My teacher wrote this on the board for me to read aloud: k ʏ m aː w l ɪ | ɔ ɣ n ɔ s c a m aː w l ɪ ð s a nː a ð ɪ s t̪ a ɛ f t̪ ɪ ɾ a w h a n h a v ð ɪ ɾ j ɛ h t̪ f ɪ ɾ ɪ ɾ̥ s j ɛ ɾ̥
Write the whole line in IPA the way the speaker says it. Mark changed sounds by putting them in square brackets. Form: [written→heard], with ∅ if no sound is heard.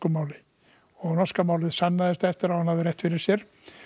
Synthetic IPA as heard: k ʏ m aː w l ɪ | ɔ ɣ n ɔ s [c→k] a m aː w l ɪ ð s a nː a ð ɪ s t̪ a ɛ f t̪ ɪ ɾ a w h a n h a v ð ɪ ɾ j ɛ h t̪ f ɪ ɾ ɪ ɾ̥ s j ɛ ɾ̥